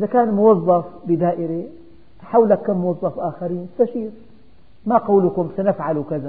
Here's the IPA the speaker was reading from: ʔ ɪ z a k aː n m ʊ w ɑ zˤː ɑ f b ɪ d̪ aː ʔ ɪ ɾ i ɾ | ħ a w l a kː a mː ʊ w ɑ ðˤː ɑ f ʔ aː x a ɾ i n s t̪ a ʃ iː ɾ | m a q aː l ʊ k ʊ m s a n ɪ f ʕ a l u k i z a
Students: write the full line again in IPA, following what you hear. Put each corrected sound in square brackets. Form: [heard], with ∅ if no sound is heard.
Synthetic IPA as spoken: ʔ ɪ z a k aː n m ʊ w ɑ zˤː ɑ f b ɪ d̪ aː ʔ ɪ ɾ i [∅] | ħ a w l a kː a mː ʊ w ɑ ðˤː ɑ f ʔ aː x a ɾ [iː] n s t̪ a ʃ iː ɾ | m a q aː l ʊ k ʊ m s a n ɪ f ʕ a l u k [a] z a